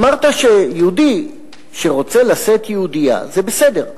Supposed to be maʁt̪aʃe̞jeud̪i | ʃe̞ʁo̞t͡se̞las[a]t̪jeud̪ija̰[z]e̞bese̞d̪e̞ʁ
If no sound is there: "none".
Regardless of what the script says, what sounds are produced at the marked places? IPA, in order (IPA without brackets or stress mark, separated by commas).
e, z